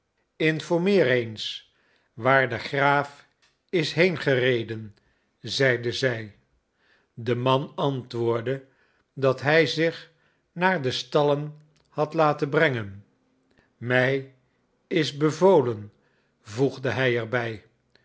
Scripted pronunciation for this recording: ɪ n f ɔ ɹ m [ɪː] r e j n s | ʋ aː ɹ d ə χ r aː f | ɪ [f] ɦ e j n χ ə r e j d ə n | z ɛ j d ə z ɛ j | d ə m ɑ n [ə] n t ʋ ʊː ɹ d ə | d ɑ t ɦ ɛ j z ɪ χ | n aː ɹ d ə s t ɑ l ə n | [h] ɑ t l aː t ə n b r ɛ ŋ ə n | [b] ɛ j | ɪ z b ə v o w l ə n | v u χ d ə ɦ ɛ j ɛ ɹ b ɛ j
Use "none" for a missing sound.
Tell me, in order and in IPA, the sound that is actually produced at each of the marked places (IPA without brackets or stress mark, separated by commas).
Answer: ɪː, s, ɑ, h, m